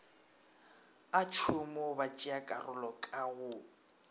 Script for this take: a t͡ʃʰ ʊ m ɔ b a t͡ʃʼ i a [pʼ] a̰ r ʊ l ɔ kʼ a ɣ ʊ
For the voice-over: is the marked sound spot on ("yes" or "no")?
no